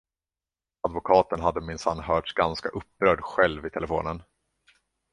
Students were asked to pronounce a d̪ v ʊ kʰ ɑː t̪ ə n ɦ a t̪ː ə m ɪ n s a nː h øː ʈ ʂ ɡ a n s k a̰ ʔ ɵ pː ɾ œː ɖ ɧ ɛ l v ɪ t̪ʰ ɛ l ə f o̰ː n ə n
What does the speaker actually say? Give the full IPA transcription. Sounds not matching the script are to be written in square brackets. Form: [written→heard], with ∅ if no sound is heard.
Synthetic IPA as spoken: a d̪ v ʊ kʰ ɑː t̪ ə n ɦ a [t̪ː→d̪ː] ə m ɪ n s a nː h [øː→œː] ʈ ʂ ɡ a n s k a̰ ʔ ɵ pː ɾ œː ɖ ɧ ɛ l v ɪ t̪ʰ ɛ l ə f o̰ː n ə n